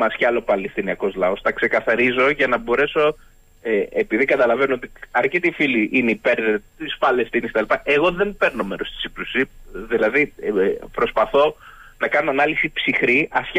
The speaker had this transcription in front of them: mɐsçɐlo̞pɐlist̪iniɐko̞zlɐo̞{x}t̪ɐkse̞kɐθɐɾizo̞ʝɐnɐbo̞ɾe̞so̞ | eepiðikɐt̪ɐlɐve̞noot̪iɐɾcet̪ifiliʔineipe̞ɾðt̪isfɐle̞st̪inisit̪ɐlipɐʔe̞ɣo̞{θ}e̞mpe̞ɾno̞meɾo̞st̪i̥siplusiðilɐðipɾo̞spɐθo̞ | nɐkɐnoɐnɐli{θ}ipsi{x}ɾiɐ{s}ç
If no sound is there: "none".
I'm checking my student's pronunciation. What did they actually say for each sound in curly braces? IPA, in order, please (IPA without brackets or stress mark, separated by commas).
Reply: s, ð, s, x, s